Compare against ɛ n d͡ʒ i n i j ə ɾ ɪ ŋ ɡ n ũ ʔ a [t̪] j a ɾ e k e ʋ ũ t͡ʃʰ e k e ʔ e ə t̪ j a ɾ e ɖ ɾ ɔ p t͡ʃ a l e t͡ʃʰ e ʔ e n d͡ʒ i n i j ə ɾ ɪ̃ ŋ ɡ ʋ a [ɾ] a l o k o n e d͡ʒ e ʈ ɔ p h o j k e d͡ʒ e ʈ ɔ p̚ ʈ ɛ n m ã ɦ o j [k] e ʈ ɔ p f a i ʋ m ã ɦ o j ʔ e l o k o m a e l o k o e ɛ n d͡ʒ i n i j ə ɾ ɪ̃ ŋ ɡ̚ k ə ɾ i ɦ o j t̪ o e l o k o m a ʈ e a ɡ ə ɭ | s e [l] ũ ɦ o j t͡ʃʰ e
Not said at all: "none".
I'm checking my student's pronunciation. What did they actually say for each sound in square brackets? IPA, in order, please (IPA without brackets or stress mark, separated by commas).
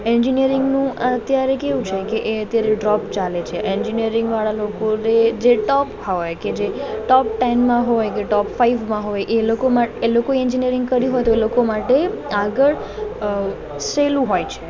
t̪, ɭ, k, l